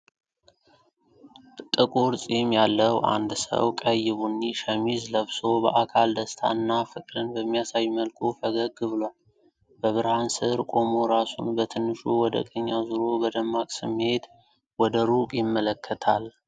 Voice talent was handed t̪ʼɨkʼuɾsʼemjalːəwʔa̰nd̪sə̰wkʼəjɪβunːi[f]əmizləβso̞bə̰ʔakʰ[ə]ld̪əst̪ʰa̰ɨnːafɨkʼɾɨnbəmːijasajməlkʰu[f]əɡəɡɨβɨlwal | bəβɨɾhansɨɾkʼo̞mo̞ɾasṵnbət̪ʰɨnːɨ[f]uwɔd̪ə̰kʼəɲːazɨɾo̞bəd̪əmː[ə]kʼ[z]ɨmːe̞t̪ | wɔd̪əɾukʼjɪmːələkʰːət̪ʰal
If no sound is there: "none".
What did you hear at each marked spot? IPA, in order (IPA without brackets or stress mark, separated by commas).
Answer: ʃ, a, f, ʃ, a, s